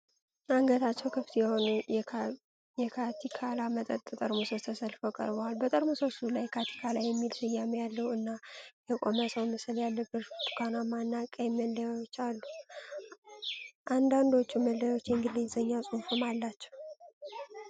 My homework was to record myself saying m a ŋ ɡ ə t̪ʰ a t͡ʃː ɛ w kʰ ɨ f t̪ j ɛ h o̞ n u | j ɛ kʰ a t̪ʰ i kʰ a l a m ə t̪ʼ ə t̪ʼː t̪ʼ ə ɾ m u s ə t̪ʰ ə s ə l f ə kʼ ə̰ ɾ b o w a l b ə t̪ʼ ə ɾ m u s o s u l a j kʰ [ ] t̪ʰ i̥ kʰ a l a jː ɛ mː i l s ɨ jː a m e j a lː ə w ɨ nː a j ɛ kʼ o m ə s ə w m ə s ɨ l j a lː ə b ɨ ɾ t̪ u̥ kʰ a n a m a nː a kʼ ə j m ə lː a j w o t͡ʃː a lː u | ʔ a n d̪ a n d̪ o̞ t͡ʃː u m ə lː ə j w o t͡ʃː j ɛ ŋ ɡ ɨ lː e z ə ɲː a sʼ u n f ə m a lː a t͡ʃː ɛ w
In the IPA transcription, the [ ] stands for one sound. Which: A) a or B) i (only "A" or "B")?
A